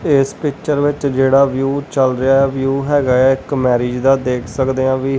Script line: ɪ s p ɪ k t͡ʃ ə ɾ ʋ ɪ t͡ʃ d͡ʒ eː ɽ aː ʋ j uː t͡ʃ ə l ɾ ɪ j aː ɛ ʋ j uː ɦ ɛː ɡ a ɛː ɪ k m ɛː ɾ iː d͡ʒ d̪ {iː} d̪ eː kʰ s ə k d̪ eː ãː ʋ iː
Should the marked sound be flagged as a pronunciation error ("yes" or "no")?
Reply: yes